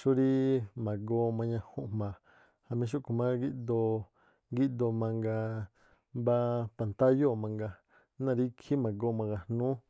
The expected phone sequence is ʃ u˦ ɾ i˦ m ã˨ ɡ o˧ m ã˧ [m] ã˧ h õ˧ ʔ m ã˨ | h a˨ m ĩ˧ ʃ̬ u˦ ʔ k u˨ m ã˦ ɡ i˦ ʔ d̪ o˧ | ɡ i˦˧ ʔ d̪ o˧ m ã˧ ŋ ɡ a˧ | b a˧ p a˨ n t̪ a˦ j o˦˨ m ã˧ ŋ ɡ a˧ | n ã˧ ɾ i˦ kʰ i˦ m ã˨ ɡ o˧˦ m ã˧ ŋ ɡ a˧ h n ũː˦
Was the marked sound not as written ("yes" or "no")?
yes